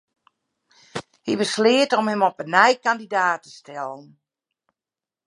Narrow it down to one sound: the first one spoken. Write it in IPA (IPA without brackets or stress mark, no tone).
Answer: h